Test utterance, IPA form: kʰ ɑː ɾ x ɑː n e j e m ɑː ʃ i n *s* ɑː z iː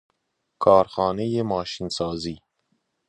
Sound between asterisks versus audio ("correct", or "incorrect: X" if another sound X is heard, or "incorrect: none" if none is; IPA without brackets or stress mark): correct